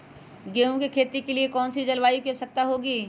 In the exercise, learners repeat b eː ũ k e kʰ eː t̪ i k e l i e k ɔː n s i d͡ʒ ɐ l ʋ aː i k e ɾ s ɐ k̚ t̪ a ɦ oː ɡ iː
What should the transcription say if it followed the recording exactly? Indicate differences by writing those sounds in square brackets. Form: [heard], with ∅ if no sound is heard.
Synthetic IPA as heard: [ɡ] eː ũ k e kʰ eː t̪ i k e l i e k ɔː n s i d͡ʒ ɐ l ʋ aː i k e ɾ s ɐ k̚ t̪ a ɦ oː ɡ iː